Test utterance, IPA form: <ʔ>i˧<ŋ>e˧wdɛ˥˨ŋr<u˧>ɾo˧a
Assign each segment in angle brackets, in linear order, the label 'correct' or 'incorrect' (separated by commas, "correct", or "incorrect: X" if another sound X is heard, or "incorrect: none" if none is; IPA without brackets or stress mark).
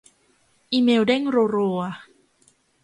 correct, incorrect: m, incorrect: o˧